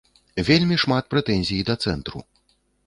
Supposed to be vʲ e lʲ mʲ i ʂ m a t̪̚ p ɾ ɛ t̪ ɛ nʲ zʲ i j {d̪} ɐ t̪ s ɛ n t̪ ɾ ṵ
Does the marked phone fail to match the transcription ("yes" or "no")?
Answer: no